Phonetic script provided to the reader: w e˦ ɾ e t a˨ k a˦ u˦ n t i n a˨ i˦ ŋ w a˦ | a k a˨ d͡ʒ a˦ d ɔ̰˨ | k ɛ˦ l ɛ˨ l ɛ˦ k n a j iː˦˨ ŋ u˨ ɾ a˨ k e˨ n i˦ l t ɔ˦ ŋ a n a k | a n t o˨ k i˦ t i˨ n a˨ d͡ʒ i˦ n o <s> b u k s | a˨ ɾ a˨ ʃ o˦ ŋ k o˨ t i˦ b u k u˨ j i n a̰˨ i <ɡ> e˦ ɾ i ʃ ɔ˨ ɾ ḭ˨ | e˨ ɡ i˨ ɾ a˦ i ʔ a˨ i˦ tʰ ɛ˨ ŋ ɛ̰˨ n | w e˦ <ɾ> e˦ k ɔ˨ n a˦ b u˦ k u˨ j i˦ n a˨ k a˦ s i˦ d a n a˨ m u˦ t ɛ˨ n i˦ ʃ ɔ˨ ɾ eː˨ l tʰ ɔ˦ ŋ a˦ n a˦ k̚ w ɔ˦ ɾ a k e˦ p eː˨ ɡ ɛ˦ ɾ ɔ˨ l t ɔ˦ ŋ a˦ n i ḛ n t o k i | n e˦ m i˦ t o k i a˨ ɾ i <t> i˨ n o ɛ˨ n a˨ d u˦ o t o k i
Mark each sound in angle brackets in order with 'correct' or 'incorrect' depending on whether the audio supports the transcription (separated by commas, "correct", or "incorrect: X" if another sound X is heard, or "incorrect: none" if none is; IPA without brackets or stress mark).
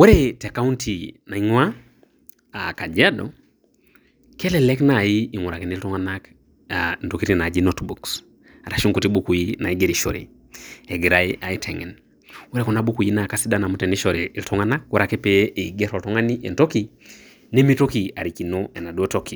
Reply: incorrect: t, correct, correct, incorrect: k